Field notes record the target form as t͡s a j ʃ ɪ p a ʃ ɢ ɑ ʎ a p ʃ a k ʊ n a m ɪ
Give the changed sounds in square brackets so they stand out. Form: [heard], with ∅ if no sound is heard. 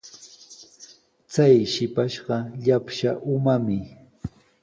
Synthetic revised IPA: t͡s a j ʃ ɪ p a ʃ ɢ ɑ ʎ a p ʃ a [ʔ] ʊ [m] a m ɪ